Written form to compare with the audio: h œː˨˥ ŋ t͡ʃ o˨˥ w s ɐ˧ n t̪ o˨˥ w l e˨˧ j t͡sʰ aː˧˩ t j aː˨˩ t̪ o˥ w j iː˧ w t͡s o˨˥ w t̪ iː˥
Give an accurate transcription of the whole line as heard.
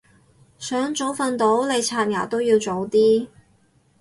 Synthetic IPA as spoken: s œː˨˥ ŋ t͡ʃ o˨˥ w f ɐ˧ n t̪ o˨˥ w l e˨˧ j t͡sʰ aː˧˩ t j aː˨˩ t̪ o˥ w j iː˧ w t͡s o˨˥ w t̪ iː˥